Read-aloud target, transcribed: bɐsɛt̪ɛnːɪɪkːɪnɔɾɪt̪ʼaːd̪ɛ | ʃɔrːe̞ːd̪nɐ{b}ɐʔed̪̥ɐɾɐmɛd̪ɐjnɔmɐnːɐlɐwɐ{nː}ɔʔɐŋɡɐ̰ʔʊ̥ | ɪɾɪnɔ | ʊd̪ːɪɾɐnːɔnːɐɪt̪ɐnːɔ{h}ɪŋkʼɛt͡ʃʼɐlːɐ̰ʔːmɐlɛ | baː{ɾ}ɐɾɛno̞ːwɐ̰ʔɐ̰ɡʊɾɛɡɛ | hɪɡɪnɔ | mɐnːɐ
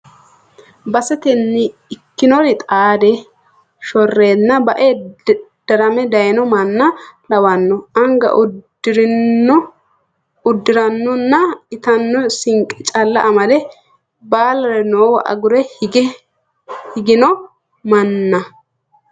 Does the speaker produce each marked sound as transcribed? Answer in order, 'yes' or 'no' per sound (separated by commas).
yes, yes, no, no